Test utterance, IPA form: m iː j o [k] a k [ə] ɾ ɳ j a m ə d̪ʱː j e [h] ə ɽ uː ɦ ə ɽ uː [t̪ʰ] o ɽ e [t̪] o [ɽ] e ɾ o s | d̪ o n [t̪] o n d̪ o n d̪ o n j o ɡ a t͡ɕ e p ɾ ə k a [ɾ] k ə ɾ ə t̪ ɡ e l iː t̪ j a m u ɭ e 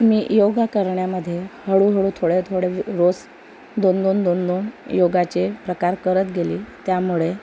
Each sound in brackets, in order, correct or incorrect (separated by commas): incorrect, correct, correct, correct, incorrect, correct, incorrect, correct